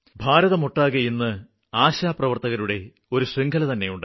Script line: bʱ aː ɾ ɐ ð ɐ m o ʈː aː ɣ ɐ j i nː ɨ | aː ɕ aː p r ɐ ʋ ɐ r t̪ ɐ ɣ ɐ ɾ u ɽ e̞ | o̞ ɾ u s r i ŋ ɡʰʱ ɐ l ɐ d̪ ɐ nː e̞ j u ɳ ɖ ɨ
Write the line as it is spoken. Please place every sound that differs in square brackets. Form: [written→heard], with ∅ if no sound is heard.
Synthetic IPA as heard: bʱ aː ɾ ɐ ð ɐ m o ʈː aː ɣ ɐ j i nː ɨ | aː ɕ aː p r ɐ ʋ ɐ r t̪ ɐ ɣ ɐ ɾ u ɽ e̞ | o̞ ɾ u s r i ŋ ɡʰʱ ɐ l ɐ [d̪→t̪] ɐ nː e̞ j u ɳ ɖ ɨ